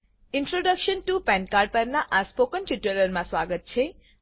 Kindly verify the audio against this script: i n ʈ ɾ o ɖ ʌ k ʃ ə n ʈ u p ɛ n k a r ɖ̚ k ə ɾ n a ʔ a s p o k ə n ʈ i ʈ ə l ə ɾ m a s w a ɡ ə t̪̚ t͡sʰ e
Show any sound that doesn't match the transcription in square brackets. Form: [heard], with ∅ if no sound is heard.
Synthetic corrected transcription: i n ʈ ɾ o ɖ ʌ k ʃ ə n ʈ u p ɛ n k a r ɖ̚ [p] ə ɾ n a ʔ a s p o k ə n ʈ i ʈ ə l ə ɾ m a s w a ɡ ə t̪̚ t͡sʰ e